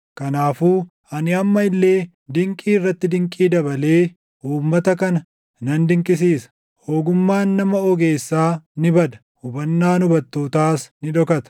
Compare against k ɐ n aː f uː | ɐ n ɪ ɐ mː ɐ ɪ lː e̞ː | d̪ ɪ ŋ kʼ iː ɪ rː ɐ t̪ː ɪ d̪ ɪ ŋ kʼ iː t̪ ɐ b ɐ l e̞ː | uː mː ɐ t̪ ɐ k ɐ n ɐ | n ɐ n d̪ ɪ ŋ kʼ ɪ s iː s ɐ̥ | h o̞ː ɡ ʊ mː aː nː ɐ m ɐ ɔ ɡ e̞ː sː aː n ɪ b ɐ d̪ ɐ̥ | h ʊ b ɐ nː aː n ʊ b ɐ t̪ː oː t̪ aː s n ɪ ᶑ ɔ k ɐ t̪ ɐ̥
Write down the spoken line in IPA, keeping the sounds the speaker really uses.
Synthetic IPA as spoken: k ɐ n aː f uː | ɐ n ɪ ɐ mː ɐ ɪ lː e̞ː | d̪ ɪ ŋ kʼ iː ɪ rː ɐ t̪ː ɪ d̪ ɪ ŋ kʼ iː d̪ ɐ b ɐ l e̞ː | uː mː ɐ t̪ ɐ k ɐ n ɐ | n ɐ n d̪ ɪ ŋ kʼ ɪ s iː s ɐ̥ | h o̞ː ɡ ʊ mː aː nː ɐ m ɐ ɔ ɡ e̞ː sː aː n ɪ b ɐ d̪ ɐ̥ | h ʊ b ɐ nː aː n ʊ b ɐ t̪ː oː t̪ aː s n ɪ ᶑ ɔ k ɐ t̪ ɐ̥